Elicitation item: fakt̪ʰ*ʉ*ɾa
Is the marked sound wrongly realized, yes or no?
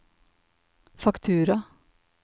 yes